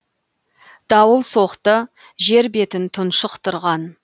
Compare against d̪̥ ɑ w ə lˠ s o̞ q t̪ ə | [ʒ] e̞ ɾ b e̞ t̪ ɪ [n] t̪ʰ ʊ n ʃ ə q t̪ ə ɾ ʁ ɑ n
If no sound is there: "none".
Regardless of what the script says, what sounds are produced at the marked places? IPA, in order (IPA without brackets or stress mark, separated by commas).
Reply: ʒ, n